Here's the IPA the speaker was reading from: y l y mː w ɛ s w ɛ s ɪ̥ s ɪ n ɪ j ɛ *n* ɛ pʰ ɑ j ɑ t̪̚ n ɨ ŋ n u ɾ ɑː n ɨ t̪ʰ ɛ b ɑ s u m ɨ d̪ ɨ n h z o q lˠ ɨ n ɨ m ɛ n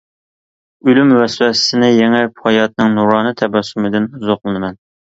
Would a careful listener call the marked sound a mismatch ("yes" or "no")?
yes